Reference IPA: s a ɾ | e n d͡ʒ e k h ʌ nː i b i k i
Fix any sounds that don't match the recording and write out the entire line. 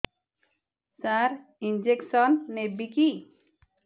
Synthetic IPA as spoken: s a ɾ | i n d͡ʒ e k s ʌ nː e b i k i